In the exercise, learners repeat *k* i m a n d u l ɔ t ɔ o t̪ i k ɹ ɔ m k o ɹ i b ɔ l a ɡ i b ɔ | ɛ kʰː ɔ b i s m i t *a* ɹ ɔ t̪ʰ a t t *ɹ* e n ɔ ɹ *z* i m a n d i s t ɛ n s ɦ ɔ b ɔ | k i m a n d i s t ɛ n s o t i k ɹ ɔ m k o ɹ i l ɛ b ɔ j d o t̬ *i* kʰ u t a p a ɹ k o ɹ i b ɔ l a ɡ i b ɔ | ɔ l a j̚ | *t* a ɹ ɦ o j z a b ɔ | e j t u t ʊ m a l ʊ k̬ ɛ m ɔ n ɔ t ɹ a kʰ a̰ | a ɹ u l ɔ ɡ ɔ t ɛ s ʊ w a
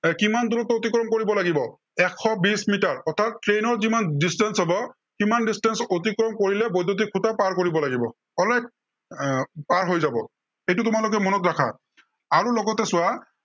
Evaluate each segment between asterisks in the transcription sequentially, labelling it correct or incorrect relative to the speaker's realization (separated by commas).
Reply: correct, correct, correct, correct, correct, incorrect